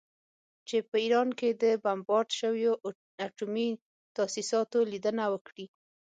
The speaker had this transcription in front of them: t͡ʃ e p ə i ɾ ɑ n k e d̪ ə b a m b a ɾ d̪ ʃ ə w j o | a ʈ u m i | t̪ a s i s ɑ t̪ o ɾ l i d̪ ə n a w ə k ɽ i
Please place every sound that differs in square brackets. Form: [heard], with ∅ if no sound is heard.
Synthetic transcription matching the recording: t͡ʃ e p ə i ɾ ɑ n k e d̪ ə b a m b [ɑ] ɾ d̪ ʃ ə w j o | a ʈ u m i | t̪ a s i s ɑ t̪ o [∅] l i d̪ ə n a w ə k ɽ i